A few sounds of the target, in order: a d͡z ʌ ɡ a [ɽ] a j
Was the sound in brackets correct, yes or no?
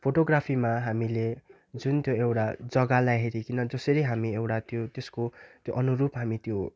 no